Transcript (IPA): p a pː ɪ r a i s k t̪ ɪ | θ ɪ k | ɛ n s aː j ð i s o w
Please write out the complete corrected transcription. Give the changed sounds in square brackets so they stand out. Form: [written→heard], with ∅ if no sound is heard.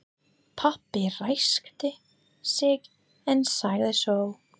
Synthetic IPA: [p→pʰ] a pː ɪ r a [i→j] s k t̪ ɪ | [θ→s] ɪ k | ɛ n s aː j ð [i→ɪ] s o w